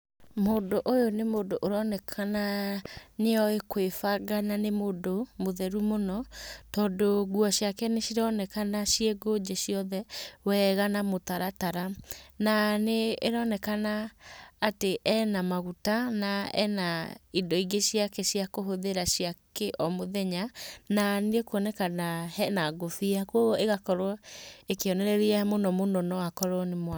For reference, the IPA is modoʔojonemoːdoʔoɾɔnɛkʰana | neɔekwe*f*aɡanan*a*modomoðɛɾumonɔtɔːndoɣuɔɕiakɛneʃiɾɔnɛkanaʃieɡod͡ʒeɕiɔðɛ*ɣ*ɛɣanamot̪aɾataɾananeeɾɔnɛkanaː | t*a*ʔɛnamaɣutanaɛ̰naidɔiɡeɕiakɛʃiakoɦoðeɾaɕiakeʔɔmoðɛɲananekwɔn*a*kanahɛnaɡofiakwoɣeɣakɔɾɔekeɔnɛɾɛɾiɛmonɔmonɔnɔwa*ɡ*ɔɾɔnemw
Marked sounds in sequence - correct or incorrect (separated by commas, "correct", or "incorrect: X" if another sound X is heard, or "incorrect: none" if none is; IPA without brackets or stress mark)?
correct, incorrect: e, incorrect: w, incorrect: e, incorrect: ɛ, incorrect: k